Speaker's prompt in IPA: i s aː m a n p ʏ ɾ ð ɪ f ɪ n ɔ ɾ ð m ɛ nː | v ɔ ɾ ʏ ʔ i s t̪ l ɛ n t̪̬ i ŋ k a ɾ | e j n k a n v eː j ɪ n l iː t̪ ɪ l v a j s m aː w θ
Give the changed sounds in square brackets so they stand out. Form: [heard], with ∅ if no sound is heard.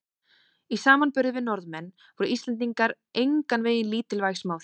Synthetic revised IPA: i s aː m a n p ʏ ɾ ð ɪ [v] ɪ n ɔ ɾ ð m ɛ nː | v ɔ ɾ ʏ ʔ i s t̪ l ɛ n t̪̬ i ŋ k a ɾ | e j [ŋ] k a n v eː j ɪ n l iː t̪ ɪ l v a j s m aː w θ